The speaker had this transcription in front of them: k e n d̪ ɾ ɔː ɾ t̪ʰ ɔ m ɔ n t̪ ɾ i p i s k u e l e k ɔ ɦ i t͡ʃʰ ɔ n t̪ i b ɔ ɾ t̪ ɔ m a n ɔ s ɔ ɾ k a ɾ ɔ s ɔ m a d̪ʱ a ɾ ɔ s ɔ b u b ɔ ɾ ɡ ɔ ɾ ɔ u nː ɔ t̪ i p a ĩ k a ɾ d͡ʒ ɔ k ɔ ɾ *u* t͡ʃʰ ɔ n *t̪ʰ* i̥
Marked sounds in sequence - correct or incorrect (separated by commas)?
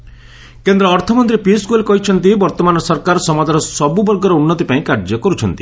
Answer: correct, incorrect